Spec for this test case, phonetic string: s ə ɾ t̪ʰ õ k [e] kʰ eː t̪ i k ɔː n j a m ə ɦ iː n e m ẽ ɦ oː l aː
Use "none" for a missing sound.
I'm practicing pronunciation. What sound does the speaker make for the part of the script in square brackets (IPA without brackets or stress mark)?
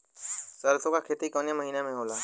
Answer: a